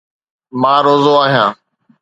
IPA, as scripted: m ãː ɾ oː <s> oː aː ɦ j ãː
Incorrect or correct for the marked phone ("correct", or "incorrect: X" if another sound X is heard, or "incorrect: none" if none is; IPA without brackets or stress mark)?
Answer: incorrect: z